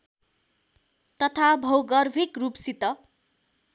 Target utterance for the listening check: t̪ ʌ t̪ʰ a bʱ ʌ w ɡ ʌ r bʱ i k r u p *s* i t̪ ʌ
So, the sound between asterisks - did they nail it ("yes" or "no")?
yes